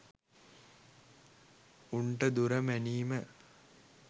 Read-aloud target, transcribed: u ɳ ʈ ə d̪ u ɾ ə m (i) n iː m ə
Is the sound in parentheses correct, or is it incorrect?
incorrect